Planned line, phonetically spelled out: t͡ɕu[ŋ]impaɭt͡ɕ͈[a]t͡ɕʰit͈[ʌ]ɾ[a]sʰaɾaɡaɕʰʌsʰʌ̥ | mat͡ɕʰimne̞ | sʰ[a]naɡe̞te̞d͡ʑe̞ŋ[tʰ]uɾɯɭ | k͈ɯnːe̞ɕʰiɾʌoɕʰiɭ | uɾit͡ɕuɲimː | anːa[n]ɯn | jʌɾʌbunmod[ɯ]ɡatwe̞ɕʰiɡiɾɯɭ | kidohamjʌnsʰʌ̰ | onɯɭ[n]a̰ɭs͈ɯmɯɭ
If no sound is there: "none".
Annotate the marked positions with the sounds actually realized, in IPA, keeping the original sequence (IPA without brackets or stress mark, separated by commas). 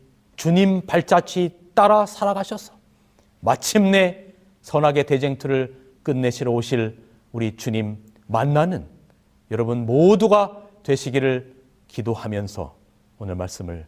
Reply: ɲ, a, a, a, ʌ, tʰ, n, u, m